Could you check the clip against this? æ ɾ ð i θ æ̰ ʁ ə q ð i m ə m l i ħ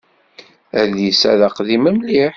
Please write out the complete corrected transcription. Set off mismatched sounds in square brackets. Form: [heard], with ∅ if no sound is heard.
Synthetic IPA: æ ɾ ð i [s] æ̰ [ð] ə q ð i m ə m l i ħ